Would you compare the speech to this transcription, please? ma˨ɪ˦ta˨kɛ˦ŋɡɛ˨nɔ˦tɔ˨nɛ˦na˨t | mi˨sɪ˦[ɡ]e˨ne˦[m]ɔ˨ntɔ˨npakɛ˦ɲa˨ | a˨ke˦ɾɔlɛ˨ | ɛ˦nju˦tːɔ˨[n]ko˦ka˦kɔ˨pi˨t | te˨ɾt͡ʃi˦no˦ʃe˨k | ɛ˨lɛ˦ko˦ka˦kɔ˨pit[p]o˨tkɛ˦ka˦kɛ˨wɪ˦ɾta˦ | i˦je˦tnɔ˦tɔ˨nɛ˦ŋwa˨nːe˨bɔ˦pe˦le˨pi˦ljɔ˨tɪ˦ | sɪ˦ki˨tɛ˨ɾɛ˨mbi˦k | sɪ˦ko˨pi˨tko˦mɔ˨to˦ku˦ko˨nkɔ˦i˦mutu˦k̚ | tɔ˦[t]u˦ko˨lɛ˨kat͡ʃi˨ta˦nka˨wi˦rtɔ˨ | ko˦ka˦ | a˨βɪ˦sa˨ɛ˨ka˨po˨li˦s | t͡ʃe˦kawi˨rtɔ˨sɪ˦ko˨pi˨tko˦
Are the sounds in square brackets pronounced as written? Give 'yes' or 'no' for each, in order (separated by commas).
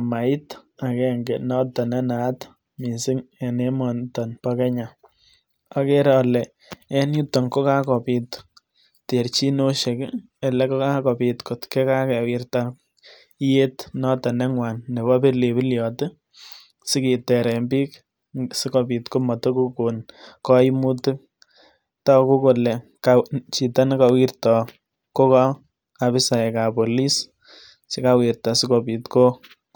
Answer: no, yes, no, no, no